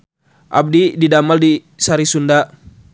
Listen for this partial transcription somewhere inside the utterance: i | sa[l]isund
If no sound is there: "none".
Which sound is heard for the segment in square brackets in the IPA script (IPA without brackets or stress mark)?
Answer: ɾ